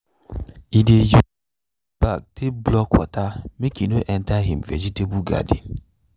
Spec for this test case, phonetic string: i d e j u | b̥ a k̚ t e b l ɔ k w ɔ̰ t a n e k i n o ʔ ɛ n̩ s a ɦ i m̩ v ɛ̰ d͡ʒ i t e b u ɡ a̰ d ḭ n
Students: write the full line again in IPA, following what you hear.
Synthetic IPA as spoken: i d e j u | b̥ a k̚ t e b l ɔ k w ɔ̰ t a m e k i n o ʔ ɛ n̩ t a ɦ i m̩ v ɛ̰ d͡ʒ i t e b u ɡ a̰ d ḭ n